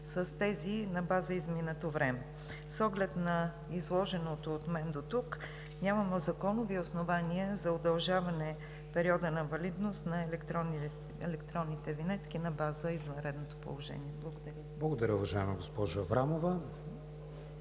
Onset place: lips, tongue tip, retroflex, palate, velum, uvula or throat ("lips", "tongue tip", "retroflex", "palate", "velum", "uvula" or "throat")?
tongue tip